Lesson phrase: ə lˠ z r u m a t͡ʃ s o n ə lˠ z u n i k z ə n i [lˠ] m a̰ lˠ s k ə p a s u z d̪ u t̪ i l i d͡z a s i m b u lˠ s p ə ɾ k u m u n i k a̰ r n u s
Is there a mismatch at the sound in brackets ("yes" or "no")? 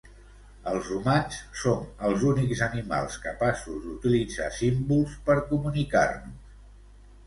yes